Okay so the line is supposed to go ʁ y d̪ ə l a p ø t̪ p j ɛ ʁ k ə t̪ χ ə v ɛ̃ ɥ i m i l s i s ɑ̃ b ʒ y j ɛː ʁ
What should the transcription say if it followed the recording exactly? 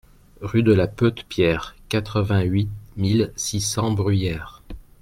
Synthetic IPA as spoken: ʁ y d̪ ə l a p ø t̪ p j ɛ ʁ k a t̪ χ ə v ɛ̃ ɥ i m i l s i s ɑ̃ b ʁ y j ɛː ʁ